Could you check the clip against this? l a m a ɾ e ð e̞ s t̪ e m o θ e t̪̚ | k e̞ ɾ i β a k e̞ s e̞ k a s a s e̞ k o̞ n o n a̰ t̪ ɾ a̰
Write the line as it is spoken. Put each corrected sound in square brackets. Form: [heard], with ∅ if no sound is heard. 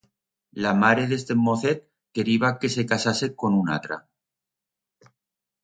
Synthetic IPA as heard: l a m a ɾ e ð e̞ s t̪ e m o θ e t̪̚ | k e̞ ɾ i β a k e̞ s e̞ k a s a s e̞ k o̞ n [u] n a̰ t̪ ɾ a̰